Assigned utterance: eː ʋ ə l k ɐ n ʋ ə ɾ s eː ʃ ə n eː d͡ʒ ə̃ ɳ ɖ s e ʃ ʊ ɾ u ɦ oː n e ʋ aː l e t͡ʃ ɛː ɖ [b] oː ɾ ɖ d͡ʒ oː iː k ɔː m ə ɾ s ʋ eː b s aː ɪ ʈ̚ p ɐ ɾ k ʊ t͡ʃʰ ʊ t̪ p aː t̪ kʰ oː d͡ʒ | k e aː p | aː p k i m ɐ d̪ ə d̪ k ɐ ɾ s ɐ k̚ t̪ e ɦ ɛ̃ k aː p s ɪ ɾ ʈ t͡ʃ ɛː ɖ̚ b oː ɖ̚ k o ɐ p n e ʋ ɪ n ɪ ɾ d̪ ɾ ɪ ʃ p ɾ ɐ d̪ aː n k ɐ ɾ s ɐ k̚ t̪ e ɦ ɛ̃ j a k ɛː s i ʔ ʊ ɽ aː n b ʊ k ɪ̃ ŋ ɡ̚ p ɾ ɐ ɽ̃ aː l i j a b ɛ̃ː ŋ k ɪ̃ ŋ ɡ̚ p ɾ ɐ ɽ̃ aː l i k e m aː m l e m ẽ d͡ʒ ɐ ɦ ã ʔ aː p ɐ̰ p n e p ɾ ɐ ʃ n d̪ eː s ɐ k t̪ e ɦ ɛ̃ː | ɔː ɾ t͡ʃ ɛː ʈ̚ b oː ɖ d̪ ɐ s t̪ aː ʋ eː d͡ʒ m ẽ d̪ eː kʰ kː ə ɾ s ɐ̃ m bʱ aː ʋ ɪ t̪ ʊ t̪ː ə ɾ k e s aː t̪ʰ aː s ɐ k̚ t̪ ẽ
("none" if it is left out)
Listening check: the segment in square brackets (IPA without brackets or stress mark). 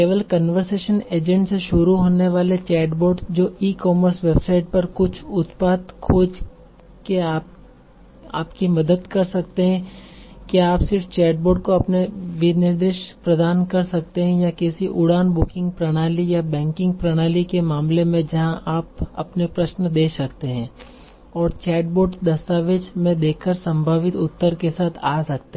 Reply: b